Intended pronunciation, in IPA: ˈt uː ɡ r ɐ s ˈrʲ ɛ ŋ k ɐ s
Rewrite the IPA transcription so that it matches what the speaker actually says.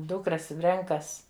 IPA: ˈd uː k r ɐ s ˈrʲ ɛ ŋ k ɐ s